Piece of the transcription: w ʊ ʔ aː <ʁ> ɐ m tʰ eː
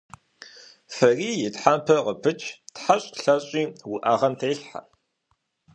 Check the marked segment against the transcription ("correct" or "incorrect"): correct